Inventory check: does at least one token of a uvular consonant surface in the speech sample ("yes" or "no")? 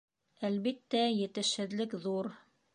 no